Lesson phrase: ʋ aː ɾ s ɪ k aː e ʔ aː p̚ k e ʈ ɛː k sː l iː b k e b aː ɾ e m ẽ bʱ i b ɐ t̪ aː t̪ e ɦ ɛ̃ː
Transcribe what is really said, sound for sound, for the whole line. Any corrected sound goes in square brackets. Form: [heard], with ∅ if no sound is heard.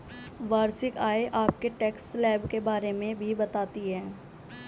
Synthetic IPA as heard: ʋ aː ɾ s ɪ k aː e ʔ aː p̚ k e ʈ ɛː k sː l [ɛː] b k e b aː ɾ e m ẽ bʱ i b ɐ t̪ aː t̪ [i] ɦ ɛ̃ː